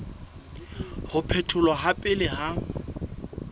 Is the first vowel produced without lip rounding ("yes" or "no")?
no